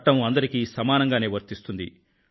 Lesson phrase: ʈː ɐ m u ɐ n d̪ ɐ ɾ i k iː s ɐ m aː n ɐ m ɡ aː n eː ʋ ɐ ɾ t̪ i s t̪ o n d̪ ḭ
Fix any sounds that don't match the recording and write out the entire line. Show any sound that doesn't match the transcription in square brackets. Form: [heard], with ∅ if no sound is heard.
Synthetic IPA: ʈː ɐ m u ɐ n d̪ ɐ ɾ i k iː s ɐ m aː n ɐ [ŋ] ɡ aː n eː ʋ ɐ ɾ t̪ i s t̪ [u] n d̪ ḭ